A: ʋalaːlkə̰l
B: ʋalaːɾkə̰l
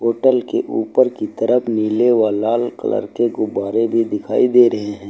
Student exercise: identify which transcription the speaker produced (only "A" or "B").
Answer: A